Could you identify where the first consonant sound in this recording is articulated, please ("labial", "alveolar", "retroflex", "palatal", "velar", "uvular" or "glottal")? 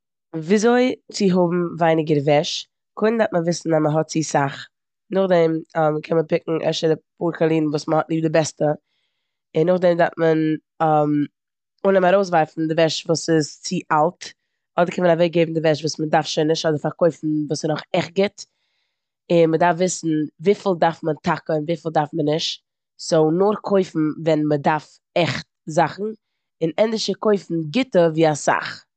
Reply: labial